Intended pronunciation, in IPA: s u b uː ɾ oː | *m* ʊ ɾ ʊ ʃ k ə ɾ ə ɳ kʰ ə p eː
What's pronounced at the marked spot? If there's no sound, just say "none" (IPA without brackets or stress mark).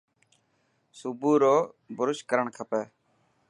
b